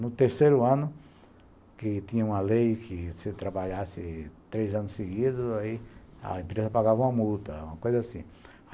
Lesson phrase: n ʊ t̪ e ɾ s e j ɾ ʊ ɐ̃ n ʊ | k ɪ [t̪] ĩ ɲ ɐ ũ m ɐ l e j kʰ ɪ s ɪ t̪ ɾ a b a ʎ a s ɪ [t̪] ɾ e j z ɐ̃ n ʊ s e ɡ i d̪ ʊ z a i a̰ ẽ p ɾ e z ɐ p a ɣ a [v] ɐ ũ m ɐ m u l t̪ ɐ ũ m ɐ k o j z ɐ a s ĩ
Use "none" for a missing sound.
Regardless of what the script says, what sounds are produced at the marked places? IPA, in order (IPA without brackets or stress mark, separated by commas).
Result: t̪, t̪, v